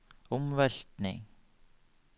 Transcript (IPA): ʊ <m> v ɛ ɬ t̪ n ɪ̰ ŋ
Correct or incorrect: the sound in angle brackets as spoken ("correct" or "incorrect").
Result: correct